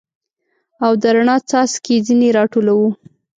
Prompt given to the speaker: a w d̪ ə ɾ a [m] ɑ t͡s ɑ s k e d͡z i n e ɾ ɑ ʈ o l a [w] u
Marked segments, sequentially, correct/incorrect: incorrect: ɳ, correct

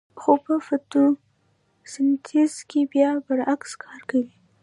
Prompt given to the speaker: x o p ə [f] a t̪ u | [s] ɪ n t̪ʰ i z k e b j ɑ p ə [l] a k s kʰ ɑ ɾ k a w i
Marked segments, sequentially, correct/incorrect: correct, correct, incorrect: ɾ

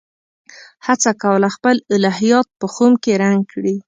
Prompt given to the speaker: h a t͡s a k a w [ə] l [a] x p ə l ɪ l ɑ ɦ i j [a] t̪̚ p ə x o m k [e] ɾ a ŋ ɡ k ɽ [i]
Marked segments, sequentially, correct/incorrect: correct, correct, incorrect: ɑ, correct, correct

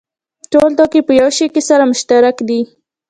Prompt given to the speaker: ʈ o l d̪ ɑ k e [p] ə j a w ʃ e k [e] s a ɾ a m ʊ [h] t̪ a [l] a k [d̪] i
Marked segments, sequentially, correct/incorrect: correct, correct, incorrect: ʃ, incorrect: ɾ, correct

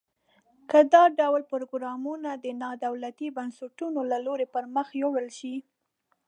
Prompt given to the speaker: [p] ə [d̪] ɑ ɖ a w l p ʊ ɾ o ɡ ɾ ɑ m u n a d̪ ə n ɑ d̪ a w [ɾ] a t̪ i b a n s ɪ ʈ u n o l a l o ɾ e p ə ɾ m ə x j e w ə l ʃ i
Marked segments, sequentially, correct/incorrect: incorrect: k, correct, incorrect: l

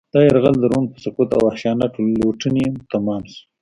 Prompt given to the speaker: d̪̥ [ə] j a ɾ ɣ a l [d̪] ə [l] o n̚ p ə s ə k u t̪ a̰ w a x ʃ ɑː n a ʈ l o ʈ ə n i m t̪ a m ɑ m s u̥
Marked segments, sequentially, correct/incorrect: incorrect: ɑ, correct, incorrect: ɾ

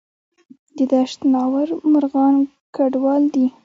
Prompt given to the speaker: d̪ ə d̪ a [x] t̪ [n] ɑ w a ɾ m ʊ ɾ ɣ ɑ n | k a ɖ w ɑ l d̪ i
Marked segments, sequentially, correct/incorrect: incorrect: ʃ, correct

